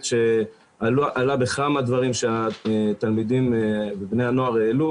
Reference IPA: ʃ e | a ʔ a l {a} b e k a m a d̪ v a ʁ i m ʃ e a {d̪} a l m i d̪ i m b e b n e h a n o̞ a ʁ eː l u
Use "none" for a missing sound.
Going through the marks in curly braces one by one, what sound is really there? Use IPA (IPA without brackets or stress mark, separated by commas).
a, t̪